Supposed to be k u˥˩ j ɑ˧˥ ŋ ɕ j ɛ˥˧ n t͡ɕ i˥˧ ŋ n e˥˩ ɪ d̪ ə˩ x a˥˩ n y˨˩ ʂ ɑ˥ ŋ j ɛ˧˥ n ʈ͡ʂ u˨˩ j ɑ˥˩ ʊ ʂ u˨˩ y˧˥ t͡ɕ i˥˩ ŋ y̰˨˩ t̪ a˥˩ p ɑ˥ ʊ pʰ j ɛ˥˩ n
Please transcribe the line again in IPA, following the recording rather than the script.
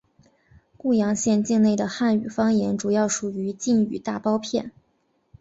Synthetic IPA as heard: k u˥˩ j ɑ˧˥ ŋ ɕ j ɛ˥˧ n t͡ɕ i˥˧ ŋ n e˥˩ ɪ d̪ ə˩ x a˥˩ n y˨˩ f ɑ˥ ŋ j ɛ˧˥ n ʈ͡ʂ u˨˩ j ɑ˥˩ ʊ ʂ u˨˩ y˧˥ t͡ɕ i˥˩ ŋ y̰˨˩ t̪ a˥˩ p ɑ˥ ʊ pʰ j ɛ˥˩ n